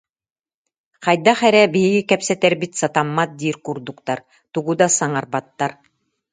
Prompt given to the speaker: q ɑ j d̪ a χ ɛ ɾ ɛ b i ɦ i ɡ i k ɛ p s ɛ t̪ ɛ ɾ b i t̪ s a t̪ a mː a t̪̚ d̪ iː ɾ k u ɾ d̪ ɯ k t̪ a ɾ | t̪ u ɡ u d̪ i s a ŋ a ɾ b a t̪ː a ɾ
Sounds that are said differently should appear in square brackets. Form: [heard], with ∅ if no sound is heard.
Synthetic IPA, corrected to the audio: q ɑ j d̪ a χ ɛ ɾ ɛ b i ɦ i ɡ i k ɛ p s ɛ t̪ ɛ ɾ b i t̪ s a t̪ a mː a t̪̚ d̪ iː ɾ k u ɾ d̪ [u] k t̪ a ɾ | t̪ u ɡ u d̪ [a] s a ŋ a ɾ b a t̪ː a ɾ